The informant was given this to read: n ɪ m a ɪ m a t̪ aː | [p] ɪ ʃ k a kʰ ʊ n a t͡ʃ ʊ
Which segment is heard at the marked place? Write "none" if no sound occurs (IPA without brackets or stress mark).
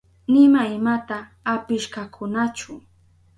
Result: p